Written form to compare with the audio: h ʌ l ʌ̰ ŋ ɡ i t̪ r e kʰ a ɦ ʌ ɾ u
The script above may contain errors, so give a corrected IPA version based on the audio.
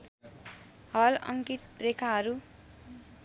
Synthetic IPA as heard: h ʌ l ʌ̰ ŋ k i t̪ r e kʰ a ɦ ʌ ɾ u